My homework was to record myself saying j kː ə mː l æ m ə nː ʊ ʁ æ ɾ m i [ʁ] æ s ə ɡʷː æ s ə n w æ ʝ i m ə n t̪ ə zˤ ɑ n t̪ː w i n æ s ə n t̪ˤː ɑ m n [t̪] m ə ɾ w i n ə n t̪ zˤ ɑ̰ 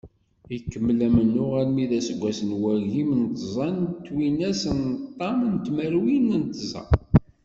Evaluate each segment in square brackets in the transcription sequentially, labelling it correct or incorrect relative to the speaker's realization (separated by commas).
incorrect, correct